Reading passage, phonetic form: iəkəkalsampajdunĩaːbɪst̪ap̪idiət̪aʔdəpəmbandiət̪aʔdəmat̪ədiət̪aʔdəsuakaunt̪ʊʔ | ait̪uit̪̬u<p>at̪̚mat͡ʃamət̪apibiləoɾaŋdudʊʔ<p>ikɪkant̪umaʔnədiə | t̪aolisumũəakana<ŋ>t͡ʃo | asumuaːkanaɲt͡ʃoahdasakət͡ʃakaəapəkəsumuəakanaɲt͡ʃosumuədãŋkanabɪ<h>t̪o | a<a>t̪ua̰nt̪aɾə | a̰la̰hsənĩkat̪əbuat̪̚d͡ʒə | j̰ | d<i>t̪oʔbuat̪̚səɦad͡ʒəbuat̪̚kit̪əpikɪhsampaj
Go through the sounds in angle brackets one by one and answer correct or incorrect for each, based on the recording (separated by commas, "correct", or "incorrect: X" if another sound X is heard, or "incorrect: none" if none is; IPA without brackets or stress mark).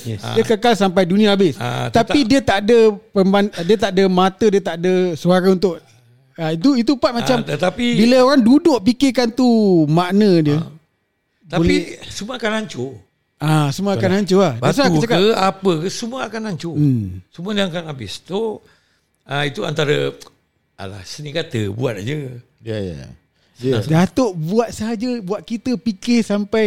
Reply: correct, correct, incorrect: ɲ, incorrect: s, incorrect: i, incorrect: a